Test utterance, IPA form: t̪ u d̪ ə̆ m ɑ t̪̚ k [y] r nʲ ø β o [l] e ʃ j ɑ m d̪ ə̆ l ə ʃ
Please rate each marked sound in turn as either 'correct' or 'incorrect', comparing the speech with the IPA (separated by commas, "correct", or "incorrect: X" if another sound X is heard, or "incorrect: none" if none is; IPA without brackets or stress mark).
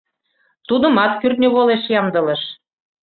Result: correct, correct